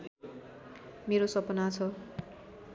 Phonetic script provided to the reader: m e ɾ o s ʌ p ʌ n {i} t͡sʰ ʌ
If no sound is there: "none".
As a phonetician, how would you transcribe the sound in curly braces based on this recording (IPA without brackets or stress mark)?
a